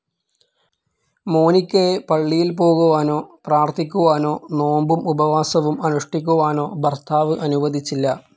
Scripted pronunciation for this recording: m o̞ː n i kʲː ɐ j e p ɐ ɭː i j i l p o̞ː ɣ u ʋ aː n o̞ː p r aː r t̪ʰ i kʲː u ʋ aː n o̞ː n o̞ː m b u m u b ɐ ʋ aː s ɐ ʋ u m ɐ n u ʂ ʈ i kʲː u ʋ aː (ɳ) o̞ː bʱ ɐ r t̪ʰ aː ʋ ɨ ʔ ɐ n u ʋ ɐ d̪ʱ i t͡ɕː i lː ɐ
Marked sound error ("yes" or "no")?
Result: yes